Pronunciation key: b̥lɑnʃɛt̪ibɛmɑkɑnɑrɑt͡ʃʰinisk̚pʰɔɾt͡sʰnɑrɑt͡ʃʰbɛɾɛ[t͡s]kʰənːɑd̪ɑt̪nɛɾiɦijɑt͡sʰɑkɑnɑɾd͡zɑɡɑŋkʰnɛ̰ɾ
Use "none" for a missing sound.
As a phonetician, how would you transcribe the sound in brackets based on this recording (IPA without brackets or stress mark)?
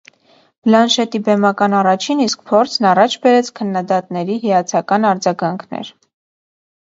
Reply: t͡sʰ